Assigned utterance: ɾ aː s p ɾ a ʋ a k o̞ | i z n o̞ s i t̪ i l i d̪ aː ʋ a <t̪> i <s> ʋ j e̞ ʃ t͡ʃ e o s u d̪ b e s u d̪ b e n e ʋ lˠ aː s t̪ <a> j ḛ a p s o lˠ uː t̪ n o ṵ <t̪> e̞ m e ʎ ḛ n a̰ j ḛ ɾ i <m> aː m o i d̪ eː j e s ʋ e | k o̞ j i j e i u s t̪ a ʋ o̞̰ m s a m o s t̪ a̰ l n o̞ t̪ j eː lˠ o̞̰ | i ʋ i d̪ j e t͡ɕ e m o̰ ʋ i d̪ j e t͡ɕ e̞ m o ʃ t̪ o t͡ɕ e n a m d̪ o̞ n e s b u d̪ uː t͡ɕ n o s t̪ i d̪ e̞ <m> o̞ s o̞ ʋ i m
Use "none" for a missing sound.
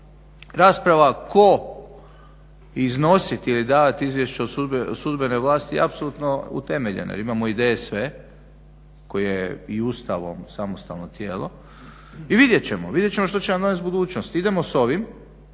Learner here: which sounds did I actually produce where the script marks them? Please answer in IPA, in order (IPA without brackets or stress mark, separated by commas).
t̪, z, i, t̪, m, m